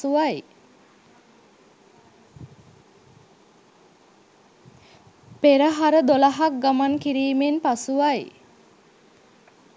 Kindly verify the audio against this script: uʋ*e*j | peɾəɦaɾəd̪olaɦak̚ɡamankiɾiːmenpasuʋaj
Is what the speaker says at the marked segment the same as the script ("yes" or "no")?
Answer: no